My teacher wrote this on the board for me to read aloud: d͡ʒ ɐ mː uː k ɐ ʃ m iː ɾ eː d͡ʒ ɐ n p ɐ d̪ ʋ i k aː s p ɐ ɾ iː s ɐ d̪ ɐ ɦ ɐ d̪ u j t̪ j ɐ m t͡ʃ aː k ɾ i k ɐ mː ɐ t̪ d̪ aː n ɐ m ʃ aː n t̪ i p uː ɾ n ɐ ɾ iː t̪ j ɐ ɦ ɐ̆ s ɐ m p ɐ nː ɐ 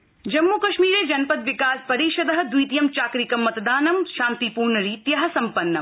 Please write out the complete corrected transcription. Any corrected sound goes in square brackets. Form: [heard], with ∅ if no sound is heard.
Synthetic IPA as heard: d͡ʒ ɐ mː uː k ɐ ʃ m iː ɾ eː d͡ʒ ɐ n p ɐ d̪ ʋ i k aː s p ɐ ɾ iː [ʃ] ɐ d̪ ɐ ɦ ɐ d̪ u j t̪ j ɐ m t͡ʃ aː k ɾ i k ɐ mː ɐ t̪ d̪ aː n ɐ m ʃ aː n t̪ i p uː ɾ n ɐ ɾ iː t̪ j ɐ ɦ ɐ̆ s ɐ m p ɐ nː ɐ